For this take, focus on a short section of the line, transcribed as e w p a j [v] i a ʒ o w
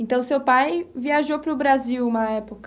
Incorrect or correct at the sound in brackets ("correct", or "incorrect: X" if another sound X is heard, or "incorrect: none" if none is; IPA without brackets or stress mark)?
correct